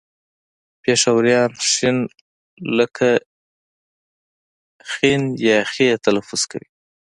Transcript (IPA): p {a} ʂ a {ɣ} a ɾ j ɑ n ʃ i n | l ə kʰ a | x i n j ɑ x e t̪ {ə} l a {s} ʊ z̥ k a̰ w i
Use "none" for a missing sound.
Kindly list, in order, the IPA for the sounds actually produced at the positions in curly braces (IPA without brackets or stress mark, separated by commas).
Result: e, w, a, f